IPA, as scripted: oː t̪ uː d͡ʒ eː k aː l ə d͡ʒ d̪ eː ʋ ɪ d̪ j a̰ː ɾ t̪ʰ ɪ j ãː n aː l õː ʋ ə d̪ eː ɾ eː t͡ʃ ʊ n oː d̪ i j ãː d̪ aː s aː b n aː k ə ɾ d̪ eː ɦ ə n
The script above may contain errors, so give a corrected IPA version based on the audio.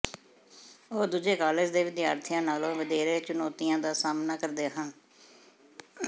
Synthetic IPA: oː d̪ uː d͡ʒ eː k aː l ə d͡ʒ d̪ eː ʋ ɪ d̪ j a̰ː ɾ t̪ʰ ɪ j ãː n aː l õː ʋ ə d̪ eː ɾ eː t͡ʃ ʊ n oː t̪ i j ãː d̪ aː s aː m n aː k ə ɾ d̪ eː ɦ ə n

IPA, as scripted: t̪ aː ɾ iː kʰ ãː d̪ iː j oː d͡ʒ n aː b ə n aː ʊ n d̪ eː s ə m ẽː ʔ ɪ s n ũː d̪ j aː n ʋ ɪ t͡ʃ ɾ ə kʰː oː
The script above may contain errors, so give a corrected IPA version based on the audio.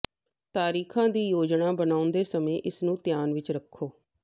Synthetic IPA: t̪ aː ɾ iː kʰ ãː d̪ iː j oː d͡ʒ n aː b ə n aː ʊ n d̪ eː s ə m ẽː ʔ ɪ s n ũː t̪ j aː n ʋ ɪ t͡ʃ ɾ ə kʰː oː

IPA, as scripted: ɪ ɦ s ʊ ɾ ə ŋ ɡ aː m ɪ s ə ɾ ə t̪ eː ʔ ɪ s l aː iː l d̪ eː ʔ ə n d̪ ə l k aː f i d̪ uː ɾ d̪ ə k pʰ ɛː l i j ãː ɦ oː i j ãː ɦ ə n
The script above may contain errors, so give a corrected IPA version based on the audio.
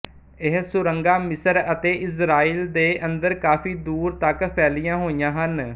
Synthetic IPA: ɪ ɦ s ʊ ɾ ə ŋ ɡ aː m ɪ s ə ɾ ə t̪ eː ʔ ɪ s ɾ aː iː l d̪ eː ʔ ə n d̪ ə ɾ k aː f iː d̪ uː ɾ t̪ ə k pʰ ɛː l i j ãː ɦ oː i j ãː ɦ ə n

